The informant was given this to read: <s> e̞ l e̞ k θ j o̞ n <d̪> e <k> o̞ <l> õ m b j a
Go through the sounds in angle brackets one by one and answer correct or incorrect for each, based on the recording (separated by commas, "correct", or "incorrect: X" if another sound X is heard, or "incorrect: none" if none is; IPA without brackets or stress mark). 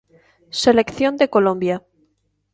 correct, correct, correct, correct